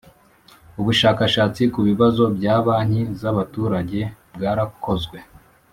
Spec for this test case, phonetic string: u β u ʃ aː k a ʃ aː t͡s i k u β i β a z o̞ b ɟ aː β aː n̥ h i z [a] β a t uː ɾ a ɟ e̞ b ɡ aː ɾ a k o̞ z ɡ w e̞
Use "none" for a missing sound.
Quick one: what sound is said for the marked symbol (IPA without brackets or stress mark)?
a